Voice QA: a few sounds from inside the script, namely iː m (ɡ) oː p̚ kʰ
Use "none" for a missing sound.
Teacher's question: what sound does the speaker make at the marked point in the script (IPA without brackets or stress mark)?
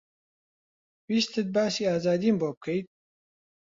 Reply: b